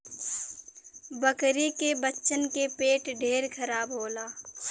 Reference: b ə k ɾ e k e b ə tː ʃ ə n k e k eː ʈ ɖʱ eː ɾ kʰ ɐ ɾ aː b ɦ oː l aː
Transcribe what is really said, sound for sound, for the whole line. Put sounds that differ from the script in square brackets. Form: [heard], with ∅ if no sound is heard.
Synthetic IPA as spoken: b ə k ɾ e k e b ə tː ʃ ə n k e [p] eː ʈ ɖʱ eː ɾ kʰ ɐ ɾ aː b ɦ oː l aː